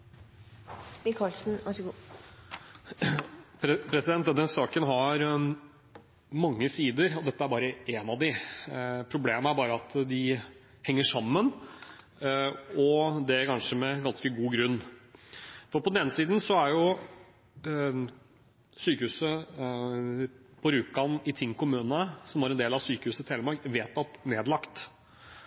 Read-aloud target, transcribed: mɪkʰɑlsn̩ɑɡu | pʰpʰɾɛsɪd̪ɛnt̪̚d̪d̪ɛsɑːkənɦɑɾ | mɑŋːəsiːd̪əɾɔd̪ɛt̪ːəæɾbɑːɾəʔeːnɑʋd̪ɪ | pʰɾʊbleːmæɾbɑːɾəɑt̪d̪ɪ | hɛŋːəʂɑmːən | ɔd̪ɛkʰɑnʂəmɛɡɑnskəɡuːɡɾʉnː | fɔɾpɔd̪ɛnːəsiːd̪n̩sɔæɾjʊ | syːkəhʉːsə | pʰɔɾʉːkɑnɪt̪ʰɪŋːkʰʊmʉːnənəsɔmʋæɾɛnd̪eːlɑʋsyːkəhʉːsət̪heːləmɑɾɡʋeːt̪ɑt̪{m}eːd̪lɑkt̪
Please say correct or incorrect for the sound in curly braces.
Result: incorrect: n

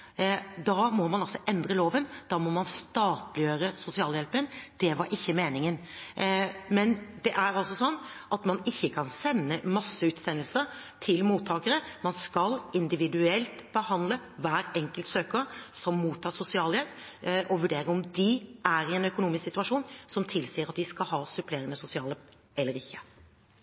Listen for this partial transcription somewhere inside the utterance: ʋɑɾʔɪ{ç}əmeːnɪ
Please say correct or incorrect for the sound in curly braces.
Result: incorrect: çː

